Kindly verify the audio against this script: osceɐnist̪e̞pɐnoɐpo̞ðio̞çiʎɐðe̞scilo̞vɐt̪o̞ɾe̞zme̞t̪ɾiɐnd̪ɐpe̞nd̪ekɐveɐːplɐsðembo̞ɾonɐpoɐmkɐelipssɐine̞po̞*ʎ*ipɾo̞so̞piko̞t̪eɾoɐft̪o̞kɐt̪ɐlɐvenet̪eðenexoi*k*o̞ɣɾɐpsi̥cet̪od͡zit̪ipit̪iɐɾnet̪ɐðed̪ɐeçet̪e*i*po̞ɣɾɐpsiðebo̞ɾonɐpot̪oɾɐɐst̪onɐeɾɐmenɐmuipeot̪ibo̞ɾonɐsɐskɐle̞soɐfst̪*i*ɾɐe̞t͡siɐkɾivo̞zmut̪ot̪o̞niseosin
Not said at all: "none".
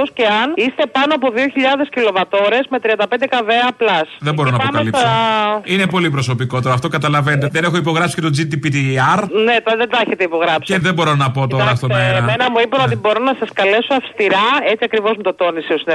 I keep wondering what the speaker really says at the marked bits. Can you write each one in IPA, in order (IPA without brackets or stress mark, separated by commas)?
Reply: l, p, i, i